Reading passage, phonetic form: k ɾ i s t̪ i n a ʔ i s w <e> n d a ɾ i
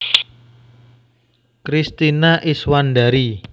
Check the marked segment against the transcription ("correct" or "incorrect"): incorrect